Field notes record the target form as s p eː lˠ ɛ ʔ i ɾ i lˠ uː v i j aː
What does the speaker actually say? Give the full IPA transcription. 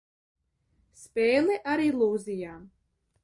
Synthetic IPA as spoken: s p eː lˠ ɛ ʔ a ɾ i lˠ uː z i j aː